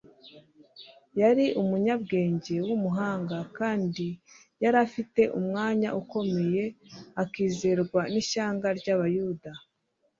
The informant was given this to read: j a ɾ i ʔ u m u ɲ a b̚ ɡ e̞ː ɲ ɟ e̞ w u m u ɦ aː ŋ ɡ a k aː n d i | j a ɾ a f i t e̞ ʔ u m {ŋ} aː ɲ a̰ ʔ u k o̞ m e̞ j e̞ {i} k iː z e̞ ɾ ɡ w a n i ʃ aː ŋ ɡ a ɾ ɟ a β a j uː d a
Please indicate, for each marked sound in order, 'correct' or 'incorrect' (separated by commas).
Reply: correct, incorrect